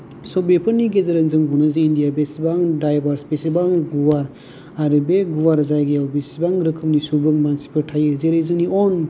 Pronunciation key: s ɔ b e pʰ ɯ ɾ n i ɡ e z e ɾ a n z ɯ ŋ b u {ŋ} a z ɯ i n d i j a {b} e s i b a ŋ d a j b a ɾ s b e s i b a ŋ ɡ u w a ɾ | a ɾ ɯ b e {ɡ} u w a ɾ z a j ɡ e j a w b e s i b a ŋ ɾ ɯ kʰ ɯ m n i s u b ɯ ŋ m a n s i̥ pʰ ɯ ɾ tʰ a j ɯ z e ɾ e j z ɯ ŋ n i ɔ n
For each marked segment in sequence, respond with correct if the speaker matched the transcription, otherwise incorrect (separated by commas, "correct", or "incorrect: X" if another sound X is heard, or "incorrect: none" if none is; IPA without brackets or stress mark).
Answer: incorrect: n, correct, correct